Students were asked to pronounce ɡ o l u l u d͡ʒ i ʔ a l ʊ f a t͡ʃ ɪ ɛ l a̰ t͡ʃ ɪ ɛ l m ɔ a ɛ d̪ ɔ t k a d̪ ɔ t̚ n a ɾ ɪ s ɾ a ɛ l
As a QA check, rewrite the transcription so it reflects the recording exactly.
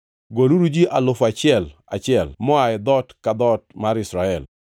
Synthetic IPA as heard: ɡ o l u ɾ u d͡ʒ i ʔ a l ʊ f a t͡ʃ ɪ ɛ l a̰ t͡ʃ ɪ ɛ l m ɔ a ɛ d̪ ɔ t k a d̪ ɔ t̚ m a ɾ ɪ s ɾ a ɛ l